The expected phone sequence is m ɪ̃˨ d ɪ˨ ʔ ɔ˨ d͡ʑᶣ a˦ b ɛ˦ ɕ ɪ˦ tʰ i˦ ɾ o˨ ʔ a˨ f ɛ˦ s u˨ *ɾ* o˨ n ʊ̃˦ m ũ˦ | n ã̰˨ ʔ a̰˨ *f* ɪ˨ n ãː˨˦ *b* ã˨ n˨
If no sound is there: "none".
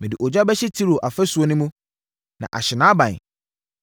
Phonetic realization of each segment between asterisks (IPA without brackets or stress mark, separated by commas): none, ɕ, b